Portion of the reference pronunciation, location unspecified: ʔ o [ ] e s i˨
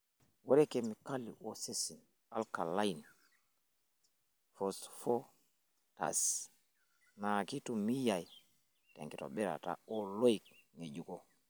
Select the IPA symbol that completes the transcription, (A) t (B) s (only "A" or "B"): B